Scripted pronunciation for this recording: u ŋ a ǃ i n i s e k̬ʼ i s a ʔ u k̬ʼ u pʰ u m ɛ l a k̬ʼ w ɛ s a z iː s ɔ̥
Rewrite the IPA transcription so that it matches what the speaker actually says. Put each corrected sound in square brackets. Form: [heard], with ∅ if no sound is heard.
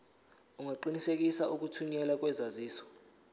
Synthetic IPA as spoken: u ŋ a ǃ i n i s e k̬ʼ i s a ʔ u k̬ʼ u [tʰ] u [ɲ] ɛ l a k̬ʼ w ɛ [z] a z iː s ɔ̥